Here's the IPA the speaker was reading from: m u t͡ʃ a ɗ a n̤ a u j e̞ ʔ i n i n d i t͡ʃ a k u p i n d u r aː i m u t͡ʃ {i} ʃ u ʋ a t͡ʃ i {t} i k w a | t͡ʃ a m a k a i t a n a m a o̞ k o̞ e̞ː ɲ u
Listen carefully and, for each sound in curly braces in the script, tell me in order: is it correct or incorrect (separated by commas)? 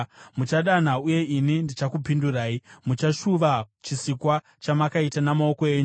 incorrect, incorrect